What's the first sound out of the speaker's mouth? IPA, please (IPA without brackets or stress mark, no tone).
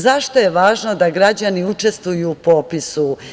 z